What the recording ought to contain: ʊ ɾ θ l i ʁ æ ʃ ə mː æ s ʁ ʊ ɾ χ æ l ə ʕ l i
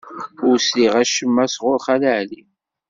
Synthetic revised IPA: ʊ ɾ s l i ʁ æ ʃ ə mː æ s ʁ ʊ ɾ χ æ l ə ʕ l i